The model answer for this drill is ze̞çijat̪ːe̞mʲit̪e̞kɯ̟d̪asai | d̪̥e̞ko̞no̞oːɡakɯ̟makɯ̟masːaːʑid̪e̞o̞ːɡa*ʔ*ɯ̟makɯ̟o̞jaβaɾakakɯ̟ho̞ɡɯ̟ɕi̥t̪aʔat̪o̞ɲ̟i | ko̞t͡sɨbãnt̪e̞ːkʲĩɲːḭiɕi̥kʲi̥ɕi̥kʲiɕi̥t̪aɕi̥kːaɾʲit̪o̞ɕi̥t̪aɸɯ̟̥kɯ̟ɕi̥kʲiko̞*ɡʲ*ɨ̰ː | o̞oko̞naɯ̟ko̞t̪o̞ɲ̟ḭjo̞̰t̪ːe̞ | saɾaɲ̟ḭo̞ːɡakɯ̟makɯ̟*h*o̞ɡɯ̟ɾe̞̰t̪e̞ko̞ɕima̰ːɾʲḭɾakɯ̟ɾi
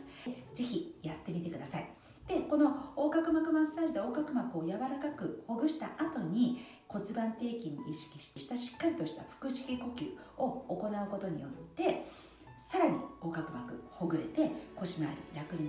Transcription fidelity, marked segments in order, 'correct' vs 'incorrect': incorrect, incorrect, correct

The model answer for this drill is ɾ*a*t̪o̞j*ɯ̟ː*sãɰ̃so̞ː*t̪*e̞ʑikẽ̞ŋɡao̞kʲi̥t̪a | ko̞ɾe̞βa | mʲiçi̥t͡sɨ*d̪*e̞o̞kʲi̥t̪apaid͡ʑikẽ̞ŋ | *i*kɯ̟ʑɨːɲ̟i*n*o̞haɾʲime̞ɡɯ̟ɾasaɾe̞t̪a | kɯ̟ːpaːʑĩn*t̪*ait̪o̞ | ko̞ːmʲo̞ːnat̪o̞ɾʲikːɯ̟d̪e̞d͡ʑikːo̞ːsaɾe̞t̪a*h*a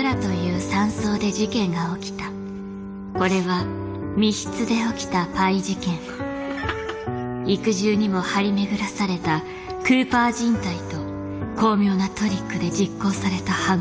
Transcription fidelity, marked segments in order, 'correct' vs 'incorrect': correct, correct, incorrect, correct, correct, incorrect, correct, correct

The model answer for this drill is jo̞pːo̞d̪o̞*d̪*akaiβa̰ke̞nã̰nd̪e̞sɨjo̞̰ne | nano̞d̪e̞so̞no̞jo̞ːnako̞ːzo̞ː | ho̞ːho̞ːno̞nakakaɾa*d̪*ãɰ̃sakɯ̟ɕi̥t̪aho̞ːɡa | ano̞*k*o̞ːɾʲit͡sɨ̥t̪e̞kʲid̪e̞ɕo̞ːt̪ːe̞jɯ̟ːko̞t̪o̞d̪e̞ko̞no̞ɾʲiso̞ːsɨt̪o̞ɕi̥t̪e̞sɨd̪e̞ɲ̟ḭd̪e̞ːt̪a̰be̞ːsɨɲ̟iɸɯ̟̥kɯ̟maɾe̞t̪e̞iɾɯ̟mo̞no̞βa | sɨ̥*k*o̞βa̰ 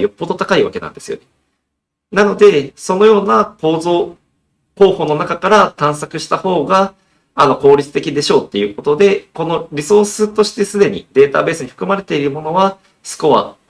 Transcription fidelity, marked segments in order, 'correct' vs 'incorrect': incorrect, incorrect, correct, correct

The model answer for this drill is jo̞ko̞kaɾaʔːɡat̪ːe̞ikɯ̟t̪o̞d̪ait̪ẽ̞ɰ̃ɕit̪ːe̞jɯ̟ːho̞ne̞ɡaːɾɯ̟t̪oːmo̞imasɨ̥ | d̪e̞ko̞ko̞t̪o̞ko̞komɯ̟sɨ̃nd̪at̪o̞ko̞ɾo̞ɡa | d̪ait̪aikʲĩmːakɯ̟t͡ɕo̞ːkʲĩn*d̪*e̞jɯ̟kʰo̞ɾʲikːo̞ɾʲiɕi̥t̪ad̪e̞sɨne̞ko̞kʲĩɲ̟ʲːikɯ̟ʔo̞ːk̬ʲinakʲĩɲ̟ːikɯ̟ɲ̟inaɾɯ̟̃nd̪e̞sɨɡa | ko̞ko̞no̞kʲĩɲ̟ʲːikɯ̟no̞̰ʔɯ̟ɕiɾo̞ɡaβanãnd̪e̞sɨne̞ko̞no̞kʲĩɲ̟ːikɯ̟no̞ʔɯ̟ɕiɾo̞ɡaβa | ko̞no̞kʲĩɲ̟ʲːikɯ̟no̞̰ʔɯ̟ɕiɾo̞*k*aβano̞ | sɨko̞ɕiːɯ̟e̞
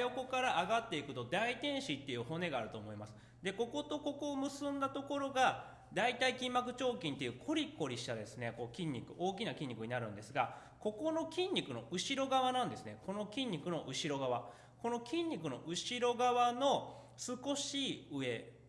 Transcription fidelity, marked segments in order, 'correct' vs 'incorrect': incorrect, incorrect

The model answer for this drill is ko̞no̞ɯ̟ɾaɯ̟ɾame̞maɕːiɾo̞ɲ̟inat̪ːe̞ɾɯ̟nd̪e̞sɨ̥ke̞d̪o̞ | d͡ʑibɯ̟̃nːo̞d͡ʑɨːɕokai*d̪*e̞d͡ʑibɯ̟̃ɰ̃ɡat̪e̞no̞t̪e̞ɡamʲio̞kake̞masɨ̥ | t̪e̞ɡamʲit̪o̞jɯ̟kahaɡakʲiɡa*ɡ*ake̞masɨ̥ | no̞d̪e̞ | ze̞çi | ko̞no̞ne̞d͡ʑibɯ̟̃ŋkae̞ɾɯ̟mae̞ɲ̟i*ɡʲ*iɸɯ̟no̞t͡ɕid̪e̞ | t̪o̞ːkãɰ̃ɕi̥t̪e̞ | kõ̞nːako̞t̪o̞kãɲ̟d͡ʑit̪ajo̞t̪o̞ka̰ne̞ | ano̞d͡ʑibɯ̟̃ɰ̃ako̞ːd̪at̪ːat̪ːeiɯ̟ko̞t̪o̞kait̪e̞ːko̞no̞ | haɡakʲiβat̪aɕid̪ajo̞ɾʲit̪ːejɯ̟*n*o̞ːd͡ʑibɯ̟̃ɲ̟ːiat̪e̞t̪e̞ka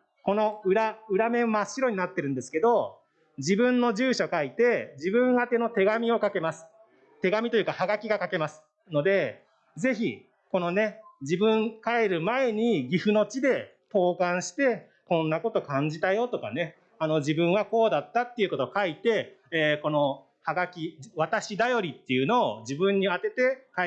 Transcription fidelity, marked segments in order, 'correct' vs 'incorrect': incorrect, incorrect, correct, correct

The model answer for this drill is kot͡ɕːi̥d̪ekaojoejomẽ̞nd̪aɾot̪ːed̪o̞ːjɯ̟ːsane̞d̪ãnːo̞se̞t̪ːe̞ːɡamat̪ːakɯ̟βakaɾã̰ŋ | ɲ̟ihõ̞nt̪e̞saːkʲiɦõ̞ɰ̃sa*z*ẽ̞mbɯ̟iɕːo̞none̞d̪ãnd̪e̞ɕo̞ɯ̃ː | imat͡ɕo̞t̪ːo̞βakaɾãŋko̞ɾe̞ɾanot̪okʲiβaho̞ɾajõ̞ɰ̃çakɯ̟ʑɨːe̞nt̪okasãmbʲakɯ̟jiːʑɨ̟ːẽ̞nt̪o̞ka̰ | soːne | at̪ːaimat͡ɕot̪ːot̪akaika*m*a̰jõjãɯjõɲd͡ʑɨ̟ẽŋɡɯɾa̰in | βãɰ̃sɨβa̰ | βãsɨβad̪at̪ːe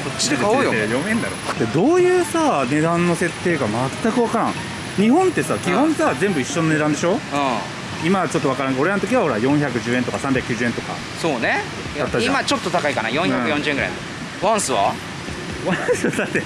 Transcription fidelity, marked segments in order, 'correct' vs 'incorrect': correct, incorrect

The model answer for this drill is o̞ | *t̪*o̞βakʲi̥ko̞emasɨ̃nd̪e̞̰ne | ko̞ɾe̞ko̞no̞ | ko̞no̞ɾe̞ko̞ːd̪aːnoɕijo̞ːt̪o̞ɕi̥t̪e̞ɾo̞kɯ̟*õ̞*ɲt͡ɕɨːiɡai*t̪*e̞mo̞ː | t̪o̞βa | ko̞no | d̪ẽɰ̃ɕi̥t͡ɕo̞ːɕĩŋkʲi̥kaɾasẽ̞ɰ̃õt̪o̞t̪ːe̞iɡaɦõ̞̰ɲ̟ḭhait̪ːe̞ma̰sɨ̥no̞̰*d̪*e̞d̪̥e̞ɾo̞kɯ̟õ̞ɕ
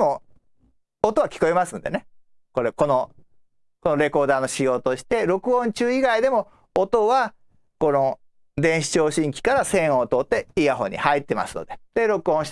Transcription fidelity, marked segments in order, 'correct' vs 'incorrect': correct, correct, incorrect, correct

